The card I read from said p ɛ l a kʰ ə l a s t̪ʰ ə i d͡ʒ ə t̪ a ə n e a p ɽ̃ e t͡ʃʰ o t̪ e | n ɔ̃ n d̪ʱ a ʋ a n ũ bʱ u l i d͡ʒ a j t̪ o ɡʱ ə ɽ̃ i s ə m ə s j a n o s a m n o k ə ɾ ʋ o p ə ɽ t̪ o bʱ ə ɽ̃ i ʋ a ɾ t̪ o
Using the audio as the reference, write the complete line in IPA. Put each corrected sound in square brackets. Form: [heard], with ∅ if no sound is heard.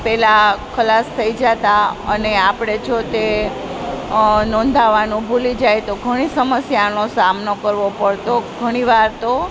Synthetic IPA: p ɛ l a kʰ ə l a s t̪ʰ ə i d͡ʒ [a] t̪ a ə n e a p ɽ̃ e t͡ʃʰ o t̪ e | n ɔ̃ n d̪ʱ a ʋ a n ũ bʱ u l i d͡ʒ a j t̪ o ɡʱ ə ɽ̃ i s ə m ə s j a n o s a m n o k ə ɾ ʋ o p ə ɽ t̪ o [ɡʱ] ə ɽ̃ i ʋ a ɾ t̪ o